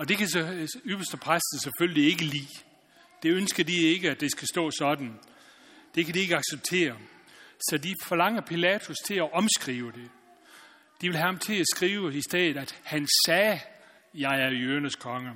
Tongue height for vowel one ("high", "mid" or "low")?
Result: low